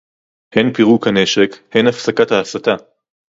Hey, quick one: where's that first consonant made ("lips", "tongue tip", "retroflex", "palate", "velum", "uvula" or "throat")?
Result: throat